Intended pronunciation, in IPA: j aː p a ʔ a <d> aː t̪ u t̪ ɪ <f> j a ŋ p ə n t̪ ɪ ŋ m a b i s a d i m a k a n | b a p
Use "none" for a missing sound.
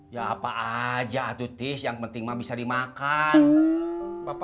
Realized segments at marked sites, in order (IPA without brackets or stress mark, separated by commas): d͡ʒ, s